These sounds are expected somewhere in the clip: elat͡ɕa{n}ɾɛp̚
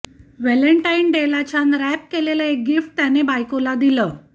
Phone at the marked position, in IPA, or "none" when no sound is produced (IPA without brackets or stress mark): n